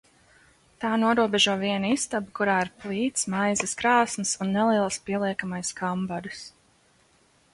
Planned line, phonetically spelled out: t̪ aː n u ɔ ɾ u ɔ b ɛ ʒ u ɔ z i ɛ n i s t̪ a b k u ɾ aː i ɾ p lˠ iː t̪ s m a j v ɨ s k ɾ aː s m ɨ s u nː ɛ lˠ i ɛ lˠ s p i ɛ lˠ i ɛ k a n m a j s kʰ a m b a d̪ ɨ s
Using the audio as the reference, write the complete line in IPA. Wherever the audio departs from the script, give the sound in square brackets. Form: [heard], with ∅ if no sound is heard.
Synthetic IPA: t̪ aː n u ɔ ɾ u ɔ b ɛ ʒ u ɔ [v] i ɛ n i s t̪ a b k u ɾ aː i ɾ p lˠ iː t̪ s m a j [z] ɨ s k ɾ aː s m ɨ s u nː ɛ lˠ i ɛ lˠ s p i ɛ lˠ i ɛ k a [∅] m a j s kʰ a m b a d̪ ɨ s